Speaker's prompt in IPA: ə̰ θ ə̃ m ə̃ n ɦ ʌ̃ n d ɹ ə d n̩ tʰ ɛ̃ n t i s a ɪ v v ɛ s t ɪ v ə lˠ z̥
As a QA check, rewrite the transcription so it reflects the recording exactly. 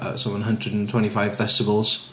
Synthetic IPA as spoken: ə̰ s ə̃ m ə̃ n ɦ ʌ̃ n d ɹ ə d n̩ tʰ ɛ̃ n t i f a ɪ v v ɛ s t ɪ b ə lˠ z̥